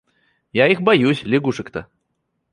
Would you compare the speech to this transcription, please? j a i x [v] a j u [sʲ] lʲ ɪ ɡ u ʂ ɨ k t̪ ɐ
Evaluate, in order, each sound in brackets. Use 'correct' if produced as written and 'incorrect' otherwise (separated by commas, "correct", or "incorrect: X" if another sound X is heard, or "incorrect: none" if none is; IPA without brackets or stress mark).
incorrect: b, correct